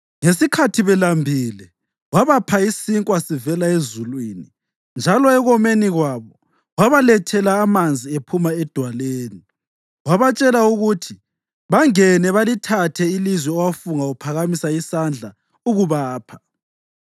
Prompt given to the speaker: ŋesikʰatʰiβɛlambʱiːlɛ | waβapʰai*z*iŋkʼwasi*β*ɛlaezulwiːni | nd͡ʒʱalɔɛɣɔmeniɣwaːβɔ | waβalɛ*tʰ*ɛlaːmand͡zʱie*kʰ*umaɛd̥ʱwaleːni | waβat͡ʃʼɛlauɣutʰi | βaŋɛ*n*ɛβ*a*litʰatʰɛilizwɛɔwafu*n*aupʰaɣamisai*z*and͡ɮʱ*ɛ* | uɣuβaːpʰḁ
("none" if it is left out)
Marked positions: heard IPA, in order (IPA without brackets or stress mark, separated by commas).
s, v, tʰ, pʰ, n, a, ŋ, s, a